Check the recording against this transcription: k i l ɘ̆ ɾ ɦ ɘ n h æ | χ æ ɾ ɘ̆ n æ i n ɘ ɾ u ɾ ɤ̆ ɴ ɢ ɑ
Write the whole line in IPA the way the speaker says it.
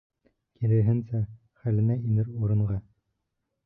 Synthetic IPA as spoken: k i l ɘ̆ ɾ ɦ ɘ n s æ | χ æ l ɘ̆ n æ i n ɘ ɾ u ɾ ɤ̆ ɴ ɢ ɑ